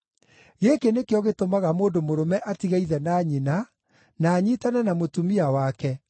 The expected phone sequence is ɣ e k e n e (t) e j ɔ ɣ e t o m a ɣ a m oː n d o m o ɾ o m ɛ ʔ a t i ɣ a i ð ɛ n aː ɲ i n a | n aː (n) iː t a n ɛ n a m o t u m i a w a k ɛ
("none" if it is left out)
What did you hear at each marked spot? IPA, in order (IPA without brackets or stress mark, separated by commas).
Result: k, ɲ